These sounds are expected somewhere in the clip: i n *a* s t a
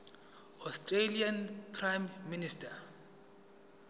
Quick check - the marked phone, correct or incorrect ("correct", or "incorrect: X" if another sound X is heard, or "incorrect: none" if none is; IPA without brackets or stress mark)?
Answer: incorrect: i